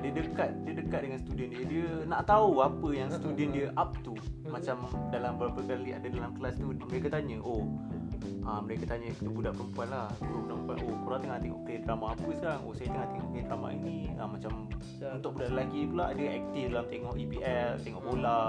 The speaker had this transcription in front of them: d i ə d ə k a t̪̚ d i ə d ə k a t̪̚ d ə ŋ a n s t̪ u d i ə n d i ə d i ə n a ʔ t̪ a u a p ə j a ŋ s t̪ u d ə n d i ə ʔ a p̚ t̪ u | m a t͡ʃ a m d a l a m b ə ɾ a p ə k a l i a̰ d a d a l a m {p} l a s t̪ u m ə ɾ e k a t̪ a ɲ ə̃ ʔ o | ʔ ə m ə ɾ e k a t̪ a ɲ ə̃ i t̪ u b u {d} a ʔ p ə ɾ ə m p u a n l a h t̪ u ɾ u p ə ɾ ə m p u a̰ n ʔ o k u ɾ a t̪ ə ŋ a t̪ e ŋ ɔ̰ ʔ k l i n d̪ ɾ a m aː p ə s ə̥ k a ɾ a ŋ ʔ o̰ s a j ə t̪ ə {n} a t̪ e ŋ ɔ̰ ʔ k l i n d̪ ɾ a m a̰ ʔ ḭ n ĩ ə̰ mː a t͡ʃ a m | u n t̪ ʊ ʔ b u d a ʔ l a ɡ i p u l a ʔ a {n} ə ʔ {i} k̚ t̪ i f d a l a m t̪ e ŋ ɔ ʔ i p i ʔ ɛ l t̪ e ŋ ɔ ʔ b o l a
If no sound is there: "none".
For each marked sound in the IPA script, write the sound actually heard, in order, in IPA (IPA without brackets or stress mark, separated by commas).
k, d, ŋ, d, ɛ